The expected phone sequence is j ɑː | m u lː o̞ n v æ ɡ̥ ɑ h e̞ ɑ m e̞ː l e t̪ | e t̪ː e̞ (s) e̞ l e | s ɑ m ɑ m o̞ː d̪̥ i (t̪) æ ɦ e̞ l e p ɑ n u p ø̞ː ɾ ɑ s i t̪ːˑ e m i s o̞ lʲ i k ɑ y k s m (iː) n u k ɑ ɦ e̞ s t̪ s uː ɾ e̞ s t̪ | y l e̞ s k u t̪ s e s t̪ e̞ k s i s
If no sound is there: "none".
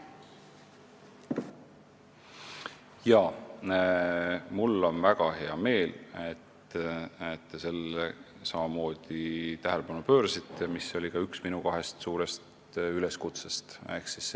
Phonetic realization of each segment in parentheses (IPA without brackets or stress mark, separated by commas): s, t̪, i